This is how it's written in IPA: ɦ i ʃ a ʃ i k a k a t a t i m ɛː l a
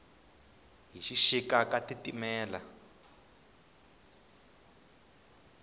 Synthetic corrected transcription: ɦ i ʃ i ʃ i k a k a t i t i m ɛː l a